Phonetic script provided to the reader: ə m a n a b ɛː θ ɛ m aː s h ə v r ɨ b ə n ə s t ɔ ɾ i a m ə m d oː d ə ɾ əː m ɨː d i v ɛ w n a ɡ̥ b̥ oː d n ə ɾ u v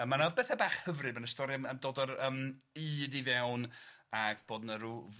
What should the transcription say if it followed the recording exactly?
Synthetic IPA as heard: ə m a n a b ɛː θ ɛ b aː χ h ə v r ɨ b ə n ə s t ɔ ɾ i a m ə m d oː d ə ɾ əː m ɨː d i v ɛ w n a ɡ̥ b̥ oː d n ə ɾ u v